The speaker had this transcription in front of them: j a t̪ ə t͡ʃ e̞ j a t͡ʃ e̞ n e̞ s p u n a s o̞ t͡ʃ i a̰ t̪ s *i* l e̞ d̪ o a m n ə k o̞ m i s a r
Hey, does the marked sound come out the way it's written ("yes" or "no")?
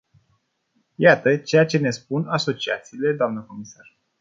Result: no